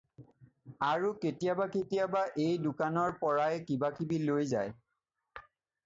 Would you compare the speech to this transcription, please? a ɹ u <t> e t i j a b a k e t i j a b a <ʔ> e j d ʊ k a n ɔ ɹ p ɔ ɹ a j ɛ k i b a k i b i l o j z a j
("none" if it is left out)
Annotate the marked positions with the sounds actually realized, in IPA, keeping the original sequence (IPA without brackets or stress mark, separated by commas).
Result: k, ʔ